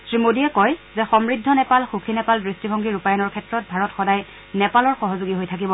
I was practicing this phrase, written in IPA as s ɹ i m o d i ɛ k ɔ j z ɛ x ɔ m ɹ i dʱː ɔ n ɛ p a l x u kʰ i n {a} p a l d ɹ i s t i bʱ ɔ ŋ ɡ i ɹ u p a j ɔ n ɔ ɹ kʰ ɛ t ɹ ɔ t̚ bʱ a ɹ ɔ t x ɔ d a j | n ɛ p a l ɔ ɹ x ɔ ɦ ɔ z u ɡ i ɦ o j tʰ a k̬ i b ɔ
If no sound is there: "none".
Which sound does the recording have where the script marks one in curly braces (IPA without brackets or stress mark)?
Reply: ɛ